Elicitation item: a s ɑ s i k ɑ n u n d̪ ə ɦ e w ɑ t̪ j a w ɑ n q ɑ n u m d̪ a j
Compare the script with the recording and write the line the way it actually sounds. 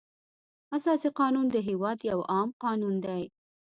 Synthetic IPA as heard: a s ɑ s i q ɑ n u n d̪ ə ɦ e w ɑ d̪ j a w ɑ m q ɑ n u n d̪ a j